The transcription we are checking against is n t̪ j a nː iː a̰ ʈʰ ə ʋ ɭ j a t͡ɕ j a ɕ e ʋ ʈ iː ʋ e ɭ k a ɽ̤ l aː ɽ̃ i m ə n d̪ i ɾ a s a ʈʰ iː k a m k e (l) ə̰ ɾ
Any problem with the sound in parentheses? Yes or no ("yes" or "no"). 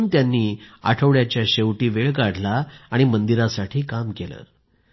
no